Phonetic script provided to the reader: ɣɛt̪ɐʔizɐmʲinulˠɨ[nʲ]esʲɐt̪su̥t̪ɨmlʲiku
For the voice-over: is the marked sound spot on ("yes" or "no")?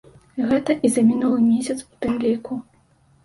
no